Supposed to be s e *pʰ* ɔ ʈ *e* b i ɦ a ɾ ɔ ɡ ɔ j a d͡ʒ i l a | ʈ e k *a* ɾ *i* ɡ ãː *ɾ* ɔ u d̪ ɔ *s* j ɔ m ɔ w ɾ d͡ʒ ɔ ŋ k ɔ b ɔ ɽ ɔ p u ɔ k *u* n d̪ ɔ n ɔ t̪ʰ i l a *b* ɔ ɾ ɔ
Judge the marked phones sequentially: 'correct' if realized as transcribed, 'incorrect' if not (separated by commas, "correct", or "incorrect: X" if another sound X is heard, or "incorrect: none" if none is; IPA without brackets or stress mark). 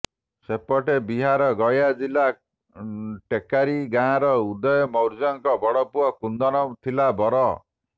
incorrect: p, correct, correct, correct, correct, incorrect: none, correct, correct